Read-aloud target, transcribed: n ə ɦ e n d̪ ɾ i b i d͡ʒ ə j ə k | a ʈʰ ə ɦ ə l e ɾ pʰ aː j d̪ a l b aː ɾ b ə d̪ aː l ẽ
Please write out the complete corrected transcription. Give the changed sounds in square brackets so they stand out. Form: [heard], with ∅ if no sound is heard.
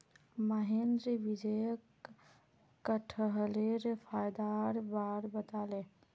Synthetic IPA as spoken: [m] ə ɦ e n d̪ ɾ i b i d͡ʒ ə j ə k | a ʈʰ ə ɦ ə l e ɾ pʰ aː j d̪ a [ɾ] b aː ɾ b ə [t̪] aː l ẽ